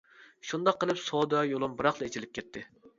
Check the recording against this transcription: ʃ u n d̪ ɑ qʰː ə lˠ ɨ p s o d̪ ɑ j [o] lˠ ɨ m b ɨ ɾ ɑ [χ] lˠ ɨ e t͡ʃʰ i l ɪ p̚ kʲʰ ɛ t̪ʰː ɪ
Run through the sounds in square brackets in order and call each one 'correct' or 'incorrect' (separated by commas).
correct, correct